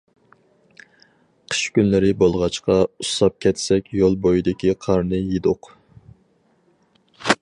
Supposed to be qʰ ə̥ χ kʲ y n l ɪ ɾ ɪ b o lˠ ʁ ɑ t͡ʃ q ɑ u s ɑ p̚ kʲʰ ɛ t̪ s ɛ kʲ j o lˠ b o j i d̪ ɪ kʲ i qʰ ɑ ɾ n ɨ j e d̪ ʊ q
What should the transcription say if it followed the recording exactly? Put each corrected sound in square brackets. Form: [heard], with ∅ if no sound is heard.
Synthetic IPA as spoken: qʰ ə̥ [ʃ] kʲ y n l ɪ ɾ ɪ b o lˠ ʁ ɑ t͡ʃ q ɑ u s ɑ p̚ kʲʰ ɛ t̪ s ɛ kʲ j o lˠ b o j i d̪ ɪ kʲ i qʰ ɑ ɾ n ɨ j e d̪ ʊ q